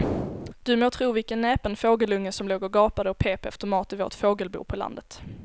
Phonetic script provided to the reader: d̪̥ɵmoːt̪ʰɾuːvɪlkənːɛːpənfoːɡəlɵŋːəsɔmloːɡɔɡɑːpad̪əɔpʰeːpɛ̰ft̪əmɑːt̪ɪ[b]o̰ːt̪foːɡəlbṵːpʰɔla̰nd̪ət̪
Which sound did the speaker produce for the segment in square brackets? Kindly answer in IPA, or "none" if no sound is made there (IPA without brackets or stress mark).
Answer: v